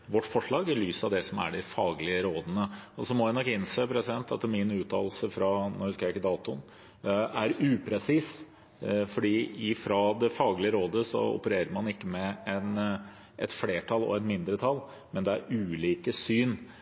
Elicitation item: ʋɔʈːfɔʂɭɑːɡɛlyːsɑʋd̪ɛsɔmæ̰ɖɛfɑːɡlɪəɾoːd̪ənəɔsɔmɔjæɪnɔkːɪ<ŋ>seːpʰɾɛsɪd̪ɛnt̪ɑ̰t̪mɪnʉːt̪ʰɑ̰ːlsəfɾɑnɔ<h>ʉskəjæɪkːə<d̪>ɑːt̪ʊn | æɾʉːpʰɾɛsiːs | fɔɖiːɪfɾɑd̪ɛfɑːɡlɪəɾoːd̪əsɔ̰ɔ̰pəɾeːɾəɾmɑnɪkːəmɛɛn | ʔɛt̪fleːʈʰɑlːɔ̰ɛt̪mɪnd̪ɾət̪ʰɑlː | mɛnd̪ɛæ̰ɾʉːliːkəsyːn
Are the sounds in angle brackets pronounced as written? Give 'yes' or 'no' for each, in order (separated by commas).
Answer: no, yes, yes